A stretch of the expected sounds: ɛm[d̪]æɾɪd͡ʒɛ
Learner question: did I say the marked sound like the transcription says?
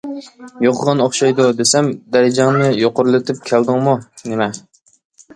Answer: yes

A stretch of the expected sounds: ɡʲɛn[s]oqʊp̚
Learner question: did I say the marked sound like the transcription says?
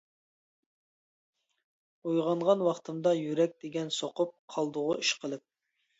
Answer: yes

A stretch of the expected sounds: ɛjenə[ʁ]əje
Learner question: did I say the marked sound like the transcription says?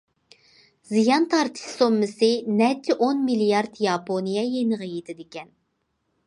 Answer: yes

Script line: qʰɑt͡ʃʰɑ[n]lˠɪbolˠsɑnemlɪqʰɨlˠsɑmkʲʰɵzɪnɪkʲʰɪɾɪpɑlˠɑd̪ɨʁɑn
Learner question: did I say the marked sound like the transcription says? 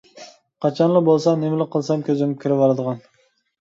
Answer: yes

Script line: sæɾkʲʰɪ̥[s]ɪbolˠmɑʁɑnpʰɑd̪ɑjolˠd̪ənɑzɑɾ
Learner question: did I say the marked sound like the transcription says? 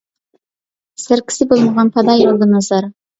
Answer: yes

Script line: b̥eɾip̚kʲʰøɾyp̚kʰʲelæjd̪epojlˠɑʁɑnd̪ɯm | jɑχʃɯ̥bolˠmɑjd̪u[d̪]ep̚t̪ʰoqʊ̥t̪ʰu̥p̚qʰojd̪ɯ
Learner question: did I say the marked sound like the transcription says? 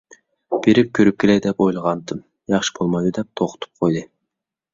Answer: yes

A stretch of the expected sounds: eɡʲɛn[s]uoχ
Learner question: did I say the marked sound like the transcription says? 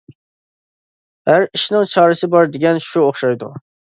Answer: no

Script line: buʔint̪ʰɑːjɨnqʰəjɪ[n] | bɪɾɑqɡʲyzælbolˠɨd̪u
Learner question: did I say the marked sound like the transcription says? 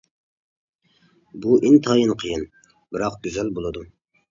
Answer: yes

